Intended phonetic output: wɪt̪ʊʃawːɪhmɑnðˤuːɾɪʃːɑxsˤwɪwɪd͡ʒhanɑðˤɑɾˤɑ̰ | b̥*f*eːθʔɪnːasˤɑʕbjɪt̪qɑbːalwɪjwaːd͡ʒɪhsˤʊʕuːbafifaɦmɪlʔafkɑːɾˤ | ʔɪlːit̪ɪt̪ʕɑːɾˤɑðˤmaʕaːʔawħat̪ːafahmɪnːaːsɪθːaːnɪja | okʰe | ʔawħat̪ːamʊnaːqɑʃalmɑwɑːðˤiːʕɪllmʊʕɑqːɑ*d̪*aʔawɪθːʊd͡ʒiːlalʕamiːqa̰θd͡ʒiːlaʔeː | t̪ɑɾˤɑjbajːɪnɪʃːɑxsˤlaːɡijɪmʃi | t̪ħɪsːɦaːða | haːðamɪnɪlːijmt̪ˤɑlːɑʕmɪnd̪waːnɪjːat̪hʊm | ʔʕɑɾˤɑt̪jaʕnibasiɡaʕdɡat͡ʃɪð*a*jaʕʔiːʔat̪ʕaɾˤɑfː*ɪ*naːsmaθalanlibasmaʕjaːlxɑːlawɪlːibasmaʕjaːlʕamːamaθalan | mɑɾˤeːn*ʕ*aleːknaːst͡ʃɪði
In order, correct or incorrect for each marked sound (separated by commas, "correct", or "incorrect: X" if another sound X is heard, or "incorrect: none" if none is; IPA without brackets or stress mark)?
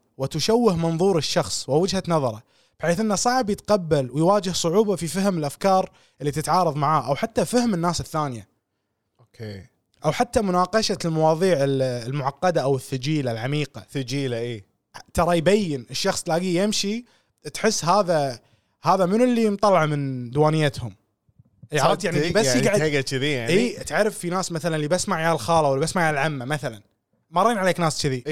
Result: incorrect: ħ, correct, incorrect: i, incorrect: i, correct